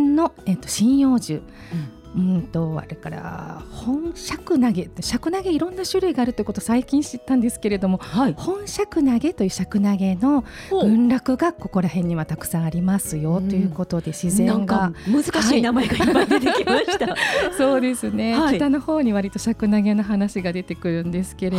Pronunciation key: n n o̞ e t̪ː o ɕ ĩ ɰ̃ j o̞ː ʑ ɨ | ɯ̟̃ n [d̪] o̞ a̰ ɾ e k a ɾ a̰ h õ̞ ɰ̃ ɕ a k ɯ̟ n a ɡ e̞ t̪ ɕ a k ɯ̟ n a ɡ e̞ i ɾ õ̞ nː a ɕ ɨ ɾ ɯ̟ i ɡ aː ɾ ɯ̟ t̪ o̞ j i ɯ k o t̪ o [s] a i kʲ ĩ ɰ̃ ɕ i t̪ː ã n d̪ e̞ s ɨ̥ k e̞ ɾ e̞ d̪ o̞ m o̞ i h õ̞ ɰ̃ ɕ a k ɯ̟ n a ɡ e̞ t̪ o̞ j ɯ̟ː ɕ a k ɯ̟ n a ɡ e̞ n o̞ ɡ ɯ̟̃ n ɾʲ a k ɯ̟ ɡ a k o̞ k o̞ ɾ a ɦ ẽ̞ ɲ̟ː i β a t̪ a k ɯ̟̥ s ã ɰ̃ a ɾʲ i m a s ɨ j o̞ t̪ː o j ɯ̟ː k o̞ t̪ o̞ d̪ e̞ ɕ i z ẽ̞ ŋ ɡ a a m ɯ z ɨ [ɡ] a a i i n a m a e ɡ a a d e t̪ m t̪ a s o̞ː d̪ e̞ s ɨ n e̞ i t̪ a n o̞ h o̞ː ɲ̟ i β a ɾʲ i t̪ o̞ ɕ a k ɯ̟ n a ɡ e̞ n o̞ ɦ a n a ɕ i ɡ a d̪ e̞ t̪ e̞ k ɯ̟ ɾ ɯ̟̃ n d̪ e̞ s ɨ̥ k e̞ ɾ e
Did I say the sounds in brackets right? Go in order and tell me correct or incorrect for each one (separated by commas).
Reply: incorrect, correct, incorrect